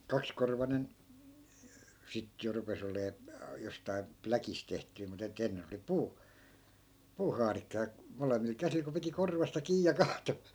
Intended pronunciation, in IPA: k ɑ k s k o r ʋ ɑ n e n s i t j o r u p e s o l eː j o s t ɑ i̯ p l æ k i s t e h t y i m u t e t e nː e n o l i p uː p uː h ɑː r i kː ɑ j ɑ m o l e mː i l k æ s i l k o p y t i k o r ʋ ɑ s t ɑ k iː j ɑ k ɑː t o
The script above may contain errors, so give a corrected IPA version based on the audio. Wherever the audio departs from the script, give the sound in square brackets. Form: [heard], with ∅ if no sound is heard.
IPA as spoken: k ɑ k s k o r ʋ ɑ n e n s i t j o r u p e s o l eː j o s t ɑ i̯ p l æ k i s t e h t y i m u t e t e nː e n o l i p uː p uː h ɑː r i kː ɑ j ɑ m o l e mː i l k æ s i l k o p [i] t i k o r ʋ ɑ s t ɑ k iː j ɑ k ɑː t o